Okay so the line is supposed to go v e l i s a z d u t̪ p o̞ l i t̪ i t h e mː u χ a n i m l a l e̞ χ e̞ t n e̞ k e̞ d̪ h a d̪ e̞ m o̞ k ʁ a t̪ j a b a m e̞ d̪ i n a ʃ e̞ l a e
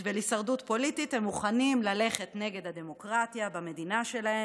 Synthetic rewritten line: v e l i s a ʁ d u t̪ p o̞ l i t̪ i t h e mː u χ a n i m l a l e̞ χ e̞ t n e̞ ɡ e̞ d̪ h a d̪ e̞ m o̞ k ʁ a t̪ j a b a m e̞ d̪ i n a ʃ e̞ l a e